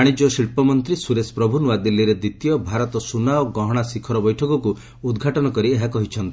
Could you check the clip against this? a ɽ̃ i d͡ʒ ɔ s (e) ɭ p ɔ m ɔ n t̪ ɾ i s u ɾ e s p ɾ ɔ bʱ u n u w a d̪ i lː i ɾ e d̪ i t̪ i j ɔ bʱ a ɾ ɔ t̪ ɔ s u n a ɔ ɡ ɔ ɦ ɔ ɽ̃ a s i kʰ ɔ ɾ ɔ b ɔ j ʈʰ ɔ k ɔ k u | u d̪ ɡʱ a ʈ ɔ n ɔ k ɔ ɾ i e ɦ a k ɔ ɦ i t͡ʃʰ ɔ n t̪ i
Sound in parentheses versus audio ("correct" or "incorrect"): incorrect